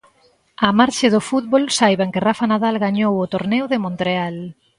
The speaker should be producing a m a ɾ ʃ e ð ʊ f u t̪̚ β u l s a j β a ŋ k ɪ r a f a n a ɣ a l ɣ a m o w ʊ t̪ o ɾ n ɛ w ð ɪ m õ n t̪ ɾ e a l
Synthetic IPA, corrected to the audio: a m a ɾ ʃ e ð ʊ f u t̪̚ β o l s a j β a ŋ k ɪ r a f a n a ð a l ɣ a ɲ o w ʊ t̪ o ɾ n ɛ w ð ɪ m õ n t̪ ɾ e a l